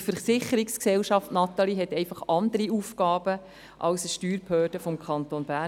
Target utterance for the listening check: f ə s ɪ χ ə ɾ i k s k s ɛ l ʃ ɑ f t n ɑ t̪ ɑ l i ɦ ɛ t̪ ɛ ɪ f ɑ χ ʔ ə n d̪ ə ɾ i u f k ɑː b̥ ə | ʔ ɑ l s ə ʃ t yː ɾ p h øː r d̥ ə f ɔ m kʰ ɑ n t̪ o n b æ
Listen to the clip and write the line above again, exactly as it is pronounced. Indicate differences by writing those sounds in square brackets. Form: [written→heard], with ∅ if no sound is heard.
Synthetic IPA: f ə s ɪ χ ə ɾ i k s k s ɛ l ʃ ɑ f t n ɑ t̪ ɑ l i ɦ ɛ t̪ ɛ ɪ f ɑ χ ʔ [ə→ɑ] n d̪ ə ɾ i u f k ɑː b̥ ə | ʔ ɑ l s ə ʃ t yː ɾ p h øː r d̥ ə f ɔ m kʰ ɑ n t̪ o n b æ